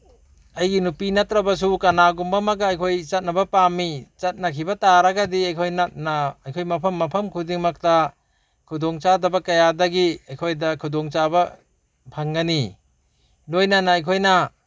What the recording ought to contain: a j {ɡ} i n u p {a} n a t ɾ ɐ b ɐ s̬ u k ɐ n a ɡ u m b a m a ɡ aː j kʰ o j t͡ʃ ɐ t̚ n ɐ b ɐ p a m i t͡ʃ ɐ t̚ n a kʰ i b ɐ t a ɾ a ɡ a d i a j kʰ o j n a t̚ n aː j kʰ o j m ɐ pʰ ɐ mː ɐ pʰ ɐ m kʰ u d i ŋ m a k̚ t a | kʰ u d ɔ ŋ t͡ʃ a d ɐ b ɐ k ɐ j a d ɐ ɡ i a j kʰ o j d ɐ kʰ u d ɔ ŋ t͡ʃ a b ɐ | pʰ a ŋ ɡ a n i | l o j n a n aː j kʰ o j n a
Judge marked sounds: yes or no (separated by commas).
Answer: yes, no